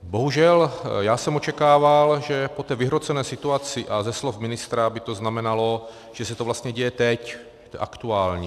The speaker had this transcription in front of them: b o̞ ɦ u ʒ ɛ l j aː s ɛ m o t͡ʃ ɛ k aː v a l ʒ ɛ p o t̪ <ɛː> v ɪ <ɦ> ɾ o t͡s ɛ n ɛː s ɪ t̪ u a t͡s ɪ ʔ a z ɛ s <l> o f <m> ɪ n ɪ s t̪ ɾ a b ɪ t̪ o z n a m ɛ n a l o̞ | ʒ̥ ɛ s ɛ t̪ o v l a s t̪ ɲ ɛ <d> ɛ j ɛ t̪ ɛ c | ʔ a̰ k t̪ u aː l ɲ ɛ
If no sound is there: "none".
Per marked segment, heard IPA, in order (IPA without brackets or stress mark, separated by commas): ɛː, ɦ, l, m, ɟ